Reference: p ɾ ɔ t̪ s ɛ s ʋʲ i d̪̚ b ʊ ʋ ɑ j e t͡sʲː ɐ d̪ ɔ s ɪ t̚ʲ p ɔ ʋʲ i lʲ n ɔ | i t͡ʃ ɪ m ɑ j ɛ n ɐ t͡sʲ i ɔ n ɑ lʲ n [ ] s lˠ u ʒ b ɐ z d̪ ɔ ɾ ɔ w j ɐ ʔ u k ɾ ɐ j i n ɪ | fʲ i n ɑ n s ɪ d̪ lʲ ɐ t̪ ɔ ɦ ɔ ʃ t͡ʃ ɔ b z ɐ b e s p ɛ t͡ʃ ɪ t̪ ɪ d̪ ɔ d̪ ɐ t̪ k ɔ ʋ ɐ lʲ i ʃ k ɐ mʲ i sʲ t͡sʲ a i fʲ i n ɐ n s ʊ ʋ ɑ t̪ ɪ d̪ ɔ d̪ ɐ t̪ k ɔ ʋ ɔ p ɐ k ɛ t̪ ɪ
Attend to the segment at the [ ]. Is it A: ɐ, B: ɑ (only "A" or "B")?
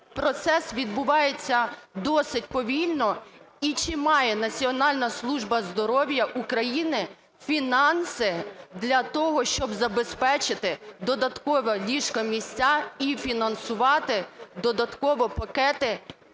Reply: A